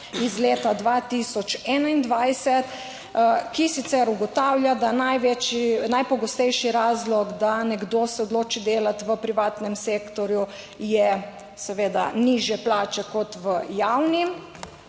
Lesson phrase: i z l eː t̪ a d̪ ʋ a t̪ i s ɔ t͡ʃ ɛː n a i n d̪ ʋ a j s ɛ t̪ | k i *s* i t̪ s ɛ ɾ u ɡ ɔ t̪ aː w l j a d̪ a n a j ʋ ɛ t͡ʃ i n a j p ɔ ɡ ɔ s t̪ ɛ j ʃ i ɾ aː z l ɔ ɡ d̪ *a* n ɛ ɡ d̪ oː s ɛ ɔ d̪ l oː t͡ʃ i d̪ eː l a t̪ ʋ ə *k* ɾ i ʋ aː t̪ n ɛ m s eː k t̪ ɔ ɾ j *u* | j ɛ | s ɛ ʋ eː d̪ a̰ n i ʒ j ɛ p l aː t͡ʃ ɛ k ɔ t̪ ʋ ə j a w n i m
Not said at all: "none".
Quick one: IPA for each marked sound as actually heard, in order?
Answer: s, a, p, u

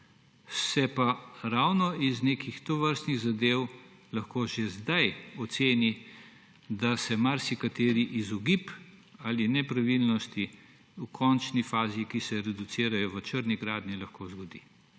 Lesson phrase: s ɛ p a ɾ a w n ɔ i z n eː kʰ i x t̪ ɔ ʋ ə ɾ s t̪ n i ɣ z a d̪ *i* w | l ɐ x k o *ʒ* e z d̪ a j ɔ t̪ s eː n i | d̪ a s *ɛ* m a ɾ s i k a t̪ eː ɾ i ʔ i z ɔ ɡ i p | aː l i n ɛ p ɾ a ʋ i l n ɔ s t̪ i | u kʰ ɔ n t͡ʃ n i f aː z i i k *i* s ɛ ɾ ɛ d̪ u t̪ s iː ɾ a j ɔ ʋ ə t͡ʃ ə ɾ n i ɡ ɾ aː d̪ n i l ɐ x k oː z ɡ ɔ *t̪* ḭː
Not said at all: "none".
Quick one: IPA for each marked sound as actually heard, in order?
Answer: e, ʒ, ɛ, i, d̪

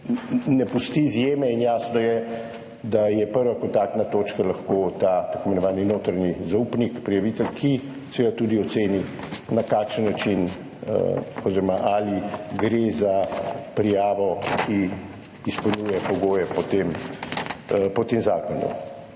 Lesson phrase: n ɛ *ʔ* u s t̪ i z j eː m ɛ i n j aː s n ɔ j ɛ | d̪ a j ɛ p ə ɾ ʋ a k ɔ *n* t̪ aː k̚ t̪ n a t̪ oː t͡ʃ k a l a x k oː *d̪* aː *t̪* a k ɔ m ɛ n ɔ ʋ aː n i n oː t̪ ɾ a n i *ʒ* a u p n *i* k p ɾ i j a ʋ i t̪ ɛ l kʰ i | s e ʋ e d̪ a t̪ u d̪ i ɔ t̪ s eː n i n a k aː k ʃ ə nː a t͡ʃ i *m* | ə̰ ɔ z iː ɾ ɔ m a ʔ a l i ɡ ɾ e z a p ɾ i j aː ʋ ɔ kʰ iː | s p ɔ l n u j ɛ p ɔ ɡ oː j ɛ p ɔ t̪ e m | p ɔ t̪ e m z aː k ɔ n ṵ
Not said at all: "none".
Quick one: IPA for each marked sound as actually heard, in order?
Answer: p, n, t̪, t̪, z, i, n

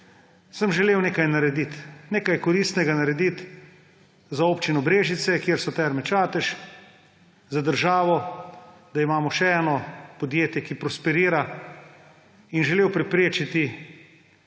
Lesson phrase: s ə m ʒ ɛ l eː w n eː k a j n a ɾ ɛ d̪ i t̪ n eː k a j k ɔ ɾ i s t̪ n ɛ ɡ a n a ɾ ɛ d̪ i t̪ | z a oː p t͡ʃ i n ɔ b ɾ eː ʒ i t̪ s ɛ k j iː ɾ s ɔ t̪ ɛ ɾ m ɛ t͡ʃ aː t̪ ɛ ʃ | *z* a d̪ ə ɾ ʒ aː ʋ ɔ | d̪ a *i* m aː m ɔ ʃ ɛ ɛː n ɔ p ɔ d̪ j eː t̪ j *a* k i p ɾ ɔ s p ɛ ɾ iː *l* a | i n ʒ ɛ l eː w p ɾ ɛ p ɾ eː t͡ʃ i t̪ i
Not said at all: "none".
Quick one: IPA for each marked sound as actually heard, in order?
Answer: z, i, ɛ, ɾ

